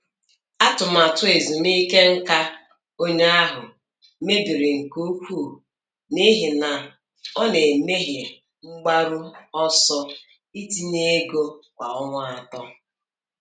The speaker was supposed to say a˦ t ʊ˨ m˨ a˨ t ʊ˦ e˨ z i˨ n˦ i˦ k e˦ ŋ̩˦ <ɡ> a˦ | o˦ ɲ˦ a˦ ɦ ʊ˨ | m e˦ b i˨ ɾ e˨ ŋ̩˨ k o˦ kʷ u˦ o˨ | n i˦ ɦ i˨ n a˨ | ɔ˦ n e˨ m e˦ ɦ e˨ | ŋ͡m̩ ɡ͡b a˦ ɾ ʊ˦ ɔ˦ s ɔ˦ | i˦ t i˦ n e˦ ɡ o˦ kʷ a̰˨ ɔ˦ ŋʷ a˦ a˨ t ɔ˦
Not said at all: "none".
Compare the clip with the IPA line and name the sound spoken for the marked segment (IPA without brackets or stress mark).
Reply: k